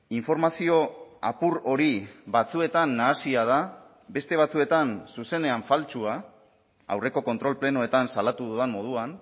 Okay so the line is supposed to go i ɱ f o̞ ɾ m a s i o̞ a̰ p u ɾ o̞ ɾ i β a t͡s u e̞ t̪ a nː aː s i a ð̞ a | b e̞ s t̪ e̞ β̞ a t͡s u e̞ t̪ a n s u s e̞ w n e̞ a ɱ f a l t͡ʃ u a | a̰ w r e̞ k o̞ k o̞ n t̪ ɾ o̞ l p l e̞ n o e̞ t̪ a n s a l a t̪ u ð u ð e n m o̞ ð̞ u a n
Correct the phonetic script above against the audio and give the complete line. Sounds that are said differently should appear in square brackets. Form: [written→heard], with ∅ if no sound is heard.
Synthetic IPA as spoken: i ɱ f o̞ ɾ m a s i o̞ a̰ p u ɾ o̞ ɾ i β a t͡s u e̞ t̪ a nː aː s i a ð̞ a | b e̞ s t̪ e̞ β̞ a t͡s u e̞ t̪ a n s u s e̞ [w→∅] n e̞ a ɱ f a l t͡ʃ u a | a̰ w r e̞ k o̞ k o̞ n t̪ ɾ o̞ l p l e̞ n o e̞ t̪ a n s a l a t̪ u ð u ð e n m o̞ ð̞ u a n

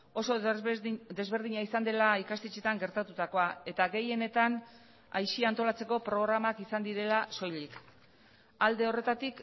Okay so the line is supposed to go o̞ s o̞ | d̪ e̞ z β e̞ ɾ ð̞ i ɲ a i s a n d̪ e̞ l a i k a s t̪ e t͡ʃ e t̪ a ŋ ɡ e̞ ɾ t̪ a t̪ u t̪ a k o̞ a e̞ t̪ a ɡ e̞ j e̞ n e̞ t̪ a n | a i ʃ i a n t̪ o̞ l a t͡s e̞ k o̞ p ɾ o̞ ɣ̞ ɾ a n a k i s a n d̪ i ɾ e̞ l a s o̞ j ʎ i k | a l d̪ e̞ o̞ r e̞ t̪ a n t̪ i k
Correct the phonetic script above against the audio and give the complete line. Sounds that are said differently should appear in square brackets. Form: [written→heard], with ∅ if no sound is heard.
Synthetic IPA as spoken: o̞ s o̞ | d̪ e̞ z β e̞ ɾ ð̞ i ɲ a i s a n d̪ e̞ l a i k a s t̪ e t͡ʃ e t̪ a ŋ ɡ e̞ ɾ t̪ a t̪ u t̪ a k o̞ a e̞ t̪ a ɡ e̞ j e̞ n e̞ t̪ a n | a [i→j] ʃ i a n t̪ o̞ l a t͡s e̞ k o̞ p ɾ o̞ ɣ̞ ɾ a [n→m] a k i s a n d̪ i ɾ e̞ l a s o̞ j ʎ i k | a l d̪ e̞ o̞ r e̞ t̪ a [n→∅] t̪ i k

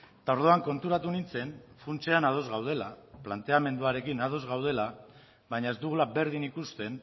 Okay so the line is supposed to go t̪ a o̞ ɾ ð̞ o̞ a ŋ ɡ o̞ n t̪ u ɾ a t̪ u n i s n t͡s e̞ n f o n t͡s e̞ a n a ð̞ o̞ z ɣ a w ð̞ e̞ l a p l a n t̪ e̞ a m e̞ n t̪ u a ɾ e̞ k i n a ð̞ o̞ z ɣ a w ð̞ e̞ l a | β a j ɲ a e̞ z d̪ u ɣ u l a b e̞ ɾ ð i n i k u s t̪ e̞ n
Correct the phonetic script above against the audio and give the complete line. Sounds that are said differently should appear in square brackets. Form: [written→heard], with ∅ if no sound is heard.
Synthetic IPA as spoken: t̪ a o̞ ɾ ð̞ o̞ a ŋ [ɡ→k] o̞ n t̪ u ɾ a t̪ u n i [s→∅] n t͡s e̞ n f [o→u] n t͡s e̞ a n a ð̞ o̞ z ɣ a w ð̞ e̞ l a p l a n t̪ e̞ a m e̞ n [t̪→d̪] u a ɾ e̞ k i n a ð̞ o̞ z ɣ a w ð̞ e̞ l a | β a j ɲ a e̞ z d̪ u ɣ u l a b e̞ ɾ ð i n i k u s t̪ e̞ n

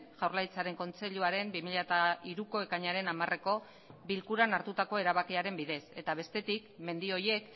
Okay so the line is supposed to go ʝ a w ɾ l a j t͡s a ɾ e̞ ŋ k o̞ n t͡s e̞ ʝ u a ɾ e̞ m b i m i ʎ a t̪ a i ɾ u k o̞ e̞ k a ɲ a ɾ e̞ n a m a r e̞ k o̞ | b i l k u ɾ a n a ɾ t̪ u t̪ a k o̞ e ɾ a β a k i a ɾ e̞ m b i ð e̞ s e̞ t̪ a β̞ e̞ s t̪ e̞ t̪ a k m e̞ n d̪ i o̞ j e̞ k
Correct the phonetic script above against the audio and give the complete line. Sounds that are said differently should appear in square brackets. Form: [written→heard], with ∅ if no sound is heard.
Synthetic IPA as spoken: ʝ a w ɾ l a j t͡s a ɾ e̞ ŋ k o̞ n t͡s e̞ [ʝ→ʎ] u a ɾ e̞ m b i m i ʎ a t̪ a i ɾ u k o̞ e̞ k a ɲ a ɾ e̞ n a m a r e̞ k o̞ | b i l k u ɾ a n a ɾ t̪ u t̪ a k o̞ e ɾ a β a k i a ɾ e̞ m b i ð e̞ s e̞ t̪ a β̞ e̞ s t̪ e̞ t̪ [a→i] k m e̞ n d̪ i o̞ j e̞ k

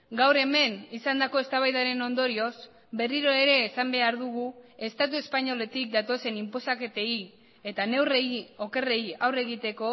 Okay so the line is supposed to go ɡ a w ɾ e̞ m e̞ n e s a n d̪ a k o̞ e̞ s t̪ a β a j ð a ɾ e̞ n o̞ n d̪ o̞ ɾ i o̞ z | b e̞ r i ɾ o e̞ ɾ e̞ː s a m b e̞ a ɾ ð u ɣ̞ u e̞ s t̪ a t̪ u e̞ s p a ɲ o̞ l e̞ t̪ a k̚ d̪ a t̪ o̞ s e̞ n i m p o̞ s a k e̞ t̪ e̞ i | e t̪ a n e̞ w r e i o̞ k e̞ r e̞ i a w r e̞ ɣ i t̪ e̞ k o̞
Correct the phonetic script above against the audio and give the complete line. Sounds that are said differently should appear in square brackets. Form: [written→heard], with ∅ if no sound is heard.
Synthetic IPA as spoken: ɡ a w ɾ e̞ m e̞ n [e→i] s a n d̪ a k o̞ e̞ s t̪ a β a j ð a ɾ e̞ n o̞ n d̪ o̞ ɾ i o̞ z | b e̞ r i ɾ o e̞ ɾ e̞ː s a m b e̞ a ɾ ð u ɣ̞ u e̞ s t̪ a t̪ u e̞ s p a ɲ o̞ l e̞ t̪ [a→i] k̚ d̪ a t̪ o̞ s e̞ n i m p o̞ s a k e̞ t̪ e̞ i | e t̪ a n e̞ w r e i o̞ k e̞ r e̞ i a w r e̞ ɣ i t̪ e̞ k o̞

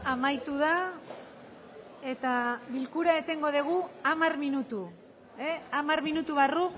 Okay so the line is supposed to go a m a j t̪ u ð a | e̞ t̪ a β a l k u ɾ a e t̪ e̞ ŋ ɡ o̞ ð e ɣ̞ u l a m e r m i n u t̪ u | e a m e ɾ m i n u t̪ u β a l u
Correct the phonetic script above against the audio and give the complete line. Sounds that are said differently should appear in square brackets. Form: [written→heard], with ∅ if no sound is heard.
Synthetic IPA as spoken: a m a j t̪ u ð a | e̞ t̪ a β [a→i] l k u ɾ a e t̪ e̞ ŋ ɡ o̞ ð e ɣ̞ u [l→∅] a m [e→a] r m i n u t̪ u | e a m [e→a] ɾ m i n u t̪ u β a [l→r] u

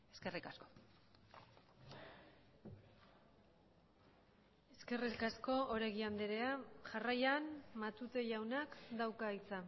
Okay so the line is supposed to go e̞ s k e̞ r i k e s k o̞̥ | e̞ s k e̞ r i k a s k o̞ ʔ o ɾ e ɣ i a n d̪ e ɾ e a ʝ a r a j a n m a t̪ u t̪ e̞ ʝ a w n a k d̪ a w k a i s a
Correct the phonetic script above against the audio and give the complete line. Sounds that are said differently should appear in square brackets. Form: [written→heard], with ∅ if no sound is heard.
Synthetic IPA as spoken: e̞ s k e̞ r i k [e→a] s k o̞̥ | e̞ s k e̞ r i k a s k o̞ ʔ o ɾ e ɣ i a n d̪ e ɾ e a ʝ a r a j a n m a t̪ u t̪ e̞ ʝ a w n a k d̪ a w k a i [s→t͡s] a

